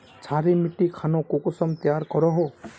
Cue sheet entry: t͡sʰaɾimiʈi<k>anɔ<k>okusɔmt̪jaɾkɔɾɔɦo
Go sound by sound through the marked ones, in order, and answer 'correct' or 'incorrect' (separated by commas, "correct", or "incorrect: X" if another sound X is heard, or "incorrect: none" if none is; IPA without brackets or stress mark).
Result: incorrect: kʰ, correct